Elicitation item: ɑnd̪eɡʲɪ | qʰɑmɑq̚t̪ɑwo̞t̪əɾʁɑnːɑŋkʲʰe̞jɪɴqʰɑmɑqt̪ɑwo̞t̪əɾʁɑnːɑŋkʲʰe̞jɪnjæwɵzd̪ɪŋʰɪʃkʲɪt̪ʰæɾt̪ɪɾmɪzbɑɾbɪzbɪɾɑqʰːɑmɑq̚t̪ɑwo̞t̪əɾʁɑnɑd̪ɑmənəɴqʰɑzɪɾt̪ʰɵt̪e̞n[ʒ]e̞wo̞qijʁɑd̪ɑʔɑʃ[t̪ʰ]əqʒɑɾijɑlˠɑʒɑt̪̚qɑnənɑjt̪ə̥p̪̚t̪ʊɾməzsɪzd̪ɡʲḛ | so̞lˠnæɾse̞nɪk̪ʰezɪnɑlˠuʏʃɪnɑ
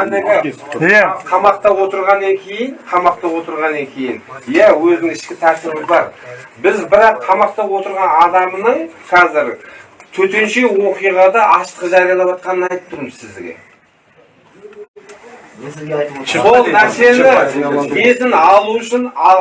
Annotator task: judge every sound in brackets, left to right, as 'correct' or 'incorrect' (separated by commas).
incorrect, incorrect